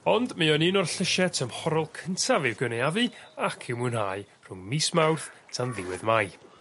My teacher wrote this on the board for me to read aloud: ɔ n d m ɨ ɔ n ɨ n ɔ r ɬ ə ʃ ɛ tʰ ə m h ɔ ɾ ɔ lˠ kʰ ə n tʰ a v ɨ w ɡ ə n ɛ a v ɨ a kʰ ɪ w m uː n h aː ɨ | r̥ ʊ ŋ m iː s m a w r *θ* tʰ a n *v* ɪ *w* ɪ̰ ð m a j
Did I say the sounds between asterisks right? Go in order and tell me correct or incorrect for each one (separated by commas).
correct, incorrect, correct